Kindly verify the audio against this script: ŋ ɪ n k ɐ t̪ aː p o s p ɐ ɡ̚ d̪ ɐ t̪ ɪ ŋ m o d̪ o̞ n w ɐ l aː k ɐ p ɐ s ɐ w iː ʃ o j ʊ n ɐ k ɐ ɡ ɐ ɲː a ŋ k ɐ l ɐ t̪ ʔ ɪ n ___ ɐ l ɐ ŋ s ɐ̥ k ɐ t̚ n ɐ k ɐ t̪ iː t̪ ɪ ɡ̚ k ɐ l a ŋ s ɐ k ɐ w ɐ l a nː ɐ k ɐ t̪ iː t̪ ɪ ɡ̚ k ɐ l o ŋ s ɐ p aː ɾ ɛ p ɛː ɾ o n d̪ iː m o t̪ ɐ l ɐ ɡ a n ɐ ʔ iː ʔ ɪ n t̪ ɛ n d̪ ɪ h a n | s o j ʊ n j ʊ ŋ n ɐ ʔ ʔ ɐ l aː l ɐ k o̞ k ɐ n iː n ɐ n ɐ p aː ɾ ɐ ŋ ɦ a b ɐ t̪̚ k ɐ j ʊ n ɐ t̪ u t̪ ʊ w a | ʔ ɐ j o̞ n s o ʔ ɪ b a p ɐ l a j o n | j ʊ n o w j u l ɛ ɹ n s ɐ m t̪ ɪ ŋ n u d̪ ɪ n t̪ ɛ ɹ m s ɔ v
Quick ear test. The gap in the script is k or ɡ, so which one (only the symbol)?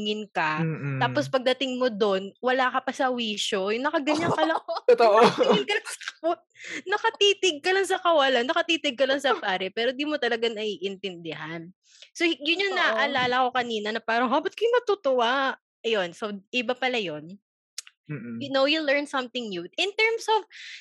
k